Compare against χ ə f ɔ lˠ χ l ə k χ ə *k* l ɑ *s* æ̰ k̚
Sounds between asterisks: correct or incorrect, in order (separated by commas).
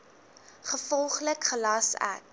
incorrect, correct